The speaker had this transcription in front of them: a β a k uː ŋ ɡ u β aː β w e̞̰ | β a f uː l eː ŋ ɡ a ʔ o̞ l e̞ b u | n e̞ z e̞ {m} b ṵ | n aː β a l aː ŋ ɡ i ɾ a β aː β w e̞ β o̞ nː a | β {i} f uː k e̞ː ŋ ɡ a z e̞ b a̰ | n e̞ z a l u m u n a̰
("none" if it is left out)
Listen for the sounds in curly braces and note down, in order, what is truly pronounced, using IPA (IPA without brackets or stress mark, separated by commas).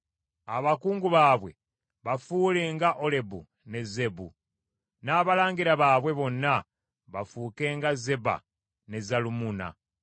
none, a